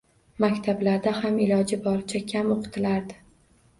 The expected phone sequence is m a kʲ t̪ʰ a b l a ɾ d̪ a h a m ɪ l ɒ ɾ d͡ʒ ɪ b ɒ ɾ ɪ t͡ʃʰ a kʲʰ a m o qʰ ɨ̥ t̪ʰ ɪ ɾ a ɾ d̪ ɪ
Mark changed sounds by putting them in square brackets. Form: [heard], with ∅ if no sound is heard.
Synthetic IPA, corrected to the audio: m a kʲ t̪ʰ a b l a ɾ d̪ a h a m ɪ l ɒ [∅] d͡ʒ ɪ b ɒ ɾ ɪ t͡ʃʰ a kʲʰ a m o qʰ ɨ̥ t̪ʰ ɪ [l] a ɾ d̪ ɪ